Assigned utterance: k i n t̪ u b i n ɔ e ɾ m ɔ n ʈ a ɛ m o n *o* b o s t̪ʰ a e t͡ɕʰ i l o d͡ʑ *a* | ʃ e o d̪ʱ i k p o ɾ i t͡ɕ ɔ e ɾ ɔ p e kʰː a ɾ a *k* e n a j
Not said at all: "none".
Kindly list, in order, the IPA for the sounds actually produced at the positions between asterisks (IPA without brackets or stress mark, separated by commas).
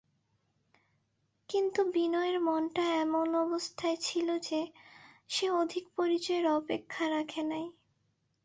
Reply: ɔ, e, kʰ